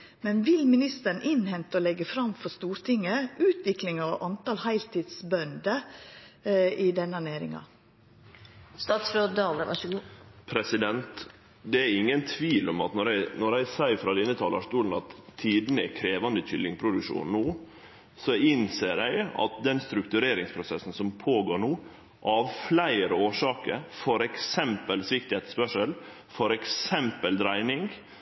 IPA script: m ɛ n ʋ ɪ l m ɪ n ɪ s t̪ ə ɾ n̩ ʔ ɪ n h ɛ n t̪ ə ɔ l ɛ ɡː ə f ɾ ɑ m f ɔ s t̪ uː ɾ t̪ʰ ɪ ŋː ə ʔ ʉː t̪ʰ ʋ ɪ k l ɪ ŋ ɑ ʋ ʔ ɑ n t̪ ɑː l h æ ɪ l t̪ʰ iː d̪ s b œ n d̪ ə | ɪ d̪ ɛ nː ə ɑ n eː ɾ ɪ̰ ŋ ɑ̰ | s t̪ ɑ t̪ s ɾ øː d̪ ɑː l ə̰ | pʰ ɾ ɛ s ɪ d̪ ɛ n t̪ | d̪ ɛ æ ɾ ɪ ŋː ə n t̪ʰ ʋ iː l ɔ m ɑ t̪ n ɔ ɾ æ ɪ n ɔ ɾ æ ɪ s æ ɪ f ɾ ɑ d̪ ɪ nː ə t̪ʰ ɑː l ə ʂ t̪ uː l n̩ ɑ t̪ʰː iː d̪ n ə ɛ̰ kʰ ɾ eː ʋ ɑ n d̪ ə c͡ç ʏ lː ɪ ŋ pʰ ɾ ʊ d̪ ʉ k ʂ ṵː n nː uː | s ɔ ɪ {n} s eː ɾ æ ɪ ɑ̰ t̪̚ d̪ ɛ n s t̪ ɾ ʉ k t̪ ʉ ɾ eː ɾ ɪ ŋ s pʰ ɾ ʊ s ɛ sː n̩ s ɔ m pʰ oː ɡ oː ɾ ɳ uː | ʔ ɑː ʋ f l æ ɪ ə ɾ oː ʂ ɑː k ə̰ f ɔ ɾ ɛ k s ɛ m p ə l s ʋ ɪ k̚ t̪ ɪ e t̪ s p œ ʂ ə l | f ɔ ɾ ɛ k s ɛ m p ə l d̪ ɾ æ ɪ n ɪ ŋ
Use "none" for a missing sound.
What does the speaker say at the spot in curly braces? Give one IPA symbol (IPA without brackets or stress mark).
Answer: n